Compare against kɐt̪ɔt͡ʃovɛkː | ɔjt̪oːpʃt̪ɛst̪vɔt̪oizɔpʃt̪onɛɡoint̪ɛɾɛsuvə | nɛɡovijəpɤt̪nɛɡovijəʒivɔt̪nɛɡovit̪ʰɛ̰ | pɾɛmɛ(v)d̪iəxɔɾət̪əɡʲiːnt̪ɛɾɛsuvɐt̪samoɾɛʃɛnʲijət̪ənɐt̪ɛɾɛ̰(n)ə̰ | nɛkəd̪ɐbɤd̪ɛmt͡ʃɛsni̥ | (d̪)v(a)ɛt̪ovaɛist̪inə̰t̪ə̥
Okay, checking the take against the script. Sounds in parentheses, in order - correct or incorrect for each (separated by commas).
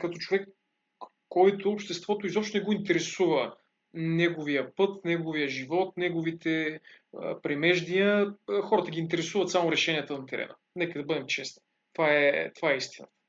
incorrect, correct, incorrect, correct